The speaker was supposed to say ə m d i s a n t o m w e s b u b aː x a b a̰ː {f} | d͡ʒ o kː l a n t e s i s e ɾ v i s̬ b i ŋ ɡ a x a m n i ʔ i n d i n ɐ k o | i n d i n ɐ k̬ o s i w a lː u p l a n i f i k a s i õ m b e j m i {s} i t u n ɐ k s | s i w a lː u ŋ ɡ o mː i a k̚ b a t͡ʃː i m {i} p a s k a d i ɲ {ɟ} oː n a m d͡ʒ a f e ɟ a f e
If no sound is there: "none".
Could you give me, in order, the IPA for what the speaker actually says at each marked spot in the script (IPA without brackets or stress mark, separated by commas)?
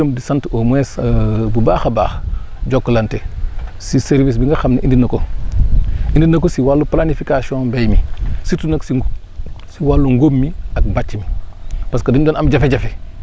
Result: x, s, i, d